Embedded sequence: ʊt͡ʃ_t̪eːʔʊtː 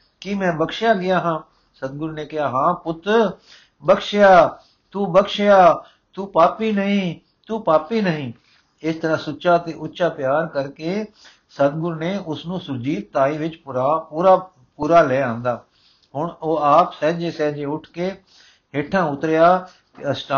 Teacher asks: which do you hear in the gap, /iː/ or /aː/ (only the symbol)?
aː